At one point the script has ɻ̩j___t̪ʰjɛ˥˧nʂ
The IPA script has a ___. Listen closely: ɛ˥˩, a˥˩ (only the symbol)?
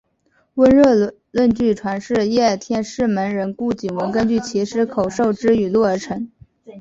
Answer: ɛ˥˩